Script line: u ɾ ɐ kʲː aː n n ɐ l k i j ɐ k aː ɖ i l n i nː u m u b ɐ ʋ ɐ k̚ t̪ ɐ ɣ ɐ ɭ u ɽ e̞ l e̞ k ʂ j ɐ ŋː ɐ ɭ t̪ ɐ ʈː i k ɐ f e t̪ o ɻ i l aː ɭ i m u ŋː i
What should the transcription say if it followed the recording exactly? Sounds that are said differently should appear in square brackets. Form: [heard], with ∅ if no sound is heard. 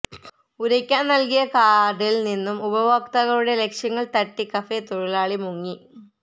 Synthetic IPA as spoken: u ɾ ɐ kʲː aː n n ɐ l k i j ɐ k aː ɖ i l n i nː u m u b ɐ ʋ ɐ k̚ t̪ ɐ ɣ ɐ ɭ u ɽ e̞ l e̞ k ʂ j ɐ ŋː ɐ ɭ t̪ ɐ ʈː i k ɐ f e t̪ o ɻ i l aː ɭ i m u ŋː i